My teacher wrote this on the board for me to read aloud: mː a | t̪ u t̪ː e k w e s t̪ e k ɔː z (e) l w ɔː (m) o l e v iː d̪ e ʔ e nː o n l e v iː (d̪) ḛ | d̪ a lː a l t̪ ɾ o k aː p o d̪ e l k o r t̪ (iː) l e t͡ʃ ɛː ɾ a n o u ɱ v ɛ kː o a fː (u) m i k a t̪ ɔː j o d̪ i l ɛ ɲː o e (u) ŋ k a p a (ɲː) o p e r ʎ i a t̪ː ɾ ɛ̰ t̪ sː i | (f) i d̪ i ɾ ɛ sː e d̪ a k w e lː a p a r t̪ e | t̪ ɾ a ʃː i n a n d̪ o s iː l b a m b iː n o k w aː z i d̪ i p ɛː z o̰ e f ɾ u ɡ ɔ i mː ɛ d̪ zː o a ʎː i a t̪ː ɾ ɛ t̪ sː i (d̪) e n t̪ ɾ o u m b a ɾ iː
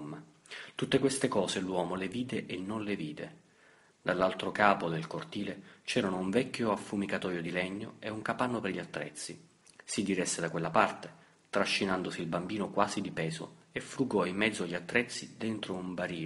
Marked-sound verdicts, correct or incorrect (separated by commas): correct, correct, correct, correct, correct, correct, incorrect, incorrect, correct